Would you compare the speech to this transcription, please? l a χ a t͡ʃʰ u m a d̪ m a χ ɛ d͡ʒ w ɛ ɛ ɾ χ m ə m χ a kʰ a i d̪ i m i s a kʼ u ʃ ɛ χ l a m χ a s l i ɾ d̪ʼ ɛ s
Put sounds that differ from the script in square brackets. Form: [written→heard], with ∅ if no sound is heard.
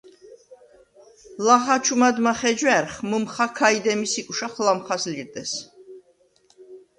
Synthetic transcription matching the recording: l a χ a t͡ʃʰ u m a d̪ m a χ ɛ d͡ʒ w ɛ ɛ ɾ χ m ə m χ a kʰ a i d̪ [i→ɛ] m i s [a→i] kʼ u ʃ [ɛ→a] χ l a m χ a s l i ɾ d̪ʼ ɛ s